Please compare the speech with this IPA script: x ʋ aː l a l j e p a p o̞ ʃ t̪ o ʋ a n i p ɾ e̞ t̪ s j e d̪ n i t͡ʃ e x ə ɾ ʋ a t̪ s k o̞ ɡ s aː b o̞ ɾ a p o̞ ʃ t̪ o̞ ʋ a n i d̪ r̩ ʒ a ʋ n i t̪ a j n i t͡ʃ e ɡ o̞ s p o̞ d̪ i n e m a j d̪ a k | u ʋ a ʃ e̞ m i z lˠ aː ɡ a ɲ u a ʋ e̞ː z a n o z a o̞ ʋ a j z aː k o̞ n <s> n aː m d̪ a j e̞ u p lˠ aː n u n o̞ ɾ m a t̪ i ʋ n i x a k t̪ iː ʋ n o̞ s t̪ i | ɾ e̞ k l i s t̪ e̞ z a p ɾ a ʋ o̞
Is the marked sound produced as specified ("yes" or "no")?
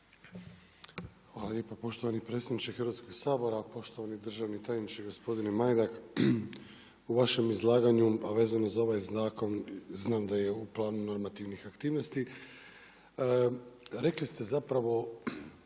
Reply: no